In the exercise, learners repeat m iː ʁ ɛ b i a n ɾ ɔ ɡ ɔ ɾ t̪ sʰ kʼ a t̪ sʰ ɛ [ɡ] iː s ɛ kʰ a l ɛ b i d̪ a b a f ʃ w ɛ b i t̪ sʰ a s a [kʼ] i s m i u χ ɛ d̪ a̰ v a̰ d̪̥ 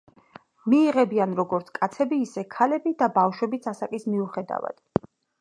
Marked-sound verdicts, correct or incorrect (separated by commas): incorrect, correct